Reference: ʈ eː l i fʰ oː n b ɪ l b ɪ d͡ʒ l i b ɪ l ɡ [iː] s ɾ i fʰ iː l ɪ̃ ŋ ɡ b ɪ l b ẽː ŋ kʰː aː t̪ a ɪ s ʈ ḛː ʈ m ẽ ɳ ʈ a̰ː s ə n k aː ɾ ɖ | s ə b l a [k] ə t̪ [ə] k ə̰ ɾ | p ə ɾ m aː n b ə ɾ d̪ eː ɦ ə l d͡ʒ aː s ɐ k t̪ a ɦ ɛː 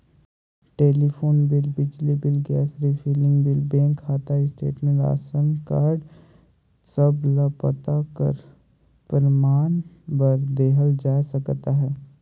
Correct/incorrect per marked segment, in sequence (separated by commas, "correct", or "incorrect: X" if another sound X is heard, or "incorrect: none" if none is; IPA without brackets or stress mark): incorrect: ɛː, incorrect: p, incorrect: a